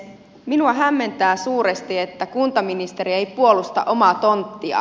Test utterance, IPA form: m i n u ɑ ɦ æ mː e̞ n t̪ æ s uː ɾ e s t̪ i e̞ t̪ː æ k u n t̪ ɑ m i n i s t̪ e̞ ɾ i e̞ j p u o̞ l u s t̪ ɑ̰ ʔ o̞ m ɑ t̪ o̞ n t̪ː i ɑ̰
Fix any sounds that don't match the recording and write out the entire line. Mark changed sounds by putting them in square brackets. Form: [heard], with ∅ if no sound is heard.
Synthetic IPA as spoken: m i n u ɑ ɦ æ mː e̞ n t̪ [æː] s uː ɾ e s t̪ i e̞ t̪ː æ k u n t̪ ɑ m i n i s t̪ e̞ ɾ i e̞ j p u o̞ l u s t̪ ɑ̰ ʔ o̞ m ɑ t̪ o̞ n t̪ː i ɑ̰

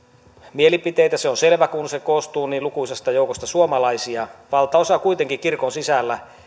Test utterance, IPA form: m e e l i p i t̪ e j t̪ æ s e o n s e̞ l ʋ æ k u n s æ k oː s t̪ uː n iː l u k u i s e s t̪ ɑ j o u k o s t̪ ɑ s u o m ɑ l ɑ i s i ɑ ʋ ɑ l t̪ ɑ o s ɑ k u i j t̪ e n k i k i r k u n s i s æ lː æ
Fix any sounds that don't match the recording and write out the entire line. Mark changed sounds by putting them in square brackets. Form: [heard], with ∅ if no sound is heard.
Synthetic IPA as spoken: m [i] e l i p i t̪ e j t̪ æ s e o n s e̞ l ʋ æ k u n s [e] k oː s t̪ uː n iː l u k u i s e s t̪ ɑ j o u k o s t̪ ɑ s u o m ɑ l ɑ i s i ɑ ʋ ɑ l t̪ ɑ o s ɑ k u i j t̪ e [ŋ] k i k i r k [o] n s i s æ lː æ

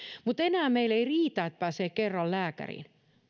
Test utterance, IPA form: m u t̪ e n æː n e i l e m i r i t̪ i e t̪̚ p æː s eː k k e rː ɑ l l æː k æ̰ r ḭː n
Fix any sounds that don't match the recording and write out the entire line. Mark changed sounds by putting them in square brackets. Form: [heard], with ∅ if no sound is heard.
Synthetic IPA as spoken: m u t̪ e n æː [m] e i l e [∅] i r [iː] t̪ [æ] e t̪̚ p æː s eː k k e rː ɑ l l æː k æ̰ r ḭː n

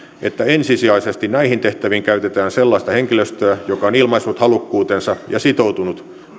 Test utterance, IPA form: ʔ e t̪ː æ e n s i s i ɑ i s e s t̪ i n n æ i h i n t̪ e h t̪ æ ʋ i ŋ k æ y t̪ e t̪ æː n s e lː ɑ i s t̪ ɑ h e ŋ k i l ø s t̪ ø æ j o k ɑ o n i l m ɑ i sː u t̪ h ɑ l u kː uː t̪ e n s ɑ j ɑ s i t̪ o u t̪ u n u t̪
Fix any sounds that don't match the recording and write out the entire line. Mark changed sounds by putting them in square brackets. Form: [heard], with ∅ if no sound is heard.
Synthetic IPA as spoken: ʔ e t̪ː æ e n s i s i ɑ i s e s t̪ i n n æ i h i n t̪ e h t̪ æ ʋ i ŋ k æ y t̪ e t̪ æː n s e lː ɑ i s t̪ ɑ h e ŋ k i l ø s t̪ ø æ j o k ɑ o n i l m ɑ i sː u t̪ h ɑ l u kː uː t̪ e n s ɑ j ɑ s i t̪ o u t̪ u n u t̪

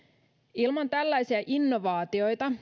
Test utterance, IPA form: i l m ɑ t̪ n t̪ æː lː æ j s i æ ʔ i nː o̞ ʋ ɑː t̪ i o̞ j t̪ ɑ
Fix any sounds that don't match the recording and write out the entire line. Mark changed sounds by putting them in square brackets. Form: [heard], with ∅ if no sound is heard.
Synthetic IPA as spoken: i l m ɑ [∅] n t̪ [æ] lː æ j s i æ ʔ i nː o̞ ʋ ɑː t̪ i o̞ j t̪ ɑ

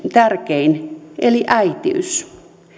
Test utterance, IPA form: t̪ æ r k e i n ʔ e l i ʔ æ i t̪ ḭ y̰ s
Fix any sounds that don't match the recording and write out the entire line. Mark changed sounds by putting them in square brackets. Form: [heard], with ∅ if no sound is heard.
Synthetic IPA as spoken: t̪ æ r k e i n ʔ e l i ʔ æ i t̪ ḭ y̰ s

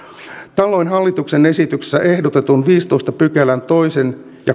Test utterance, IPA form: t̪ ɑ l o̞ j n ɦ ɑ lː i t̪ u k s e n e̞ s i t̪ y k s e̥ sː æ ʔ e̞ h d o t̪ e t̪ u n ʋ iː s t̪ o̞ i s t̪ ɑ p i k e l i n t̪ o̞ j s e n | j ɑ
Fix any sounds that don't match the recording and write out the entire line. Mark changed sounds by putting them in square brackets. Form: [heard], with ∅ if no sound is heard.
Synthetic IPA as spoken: t̪ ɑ l o̞ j n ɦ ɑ lː i t̪ u k s e n e̞ s i t̪ y k s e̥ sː æ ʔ e̞ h d o t̪ e t̪ u n ʋ iː s t̪ o̞ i s t̪ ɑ p [y] k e l [æ] n t̪ o̞ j s e n | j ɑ

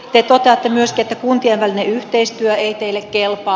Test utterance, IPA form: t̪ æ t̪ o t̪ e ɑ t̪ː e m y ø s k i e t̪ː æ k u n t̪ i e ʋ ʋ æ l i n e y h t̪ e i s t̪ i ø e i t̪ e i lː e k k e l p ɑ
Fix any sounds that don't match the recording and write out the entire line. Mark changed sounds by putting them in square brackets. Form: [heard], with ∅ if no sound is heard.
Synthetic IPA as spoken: t̪ [e] t̪ o t̪ e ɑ t̪ː e m y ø s k i e t̪ː æ k u n t̪ i e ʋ ʋ æ l i n e y h t̪ e i s t̪ [y] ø e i t̪ e i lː e k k e l p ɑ

